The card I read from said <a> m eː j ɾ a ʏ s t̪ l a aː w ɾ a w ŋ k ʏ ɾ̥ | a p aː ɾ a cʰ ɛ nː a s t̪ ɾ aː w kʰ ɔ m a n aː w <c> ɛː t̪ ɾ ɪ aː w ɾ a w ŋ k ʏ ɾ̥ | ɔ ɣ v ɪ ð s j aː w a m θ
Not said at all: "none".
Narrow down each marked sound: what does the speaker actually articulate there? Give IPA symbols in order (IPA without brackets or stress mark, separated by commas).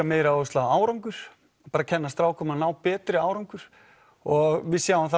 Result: a, p